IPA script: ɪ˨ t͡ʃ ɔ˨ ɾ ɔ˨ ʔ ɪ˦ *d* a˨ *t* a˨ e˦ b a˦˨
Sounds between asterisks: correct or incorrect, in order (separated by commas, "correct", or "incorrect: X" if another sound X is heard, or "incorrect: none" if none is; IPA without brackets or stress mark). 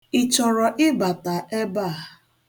incorrect: b, correct